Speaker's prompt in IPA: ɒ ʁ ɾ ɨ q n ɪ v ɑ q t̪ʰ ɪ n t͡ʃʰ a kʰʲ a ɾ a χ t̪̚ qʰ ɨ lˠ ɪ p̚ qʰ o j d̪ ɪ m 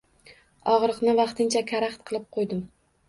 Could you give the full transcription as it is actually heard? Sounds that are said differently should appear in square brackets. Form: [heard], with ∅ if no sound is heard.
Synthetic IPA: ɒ ʁ ɾ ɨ q n ɪ v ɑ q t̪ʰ ɪ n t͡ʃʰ a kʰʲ a ɾ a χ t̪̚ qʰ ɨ lˠ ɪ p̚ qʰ o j d̪ ɪ m